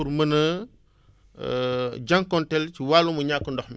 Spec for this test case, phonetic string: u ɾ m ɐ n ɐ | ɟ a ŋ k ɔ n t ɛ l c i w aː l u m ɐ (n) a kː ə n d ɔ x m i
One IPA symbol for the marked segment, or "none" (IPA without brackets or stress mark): ɲ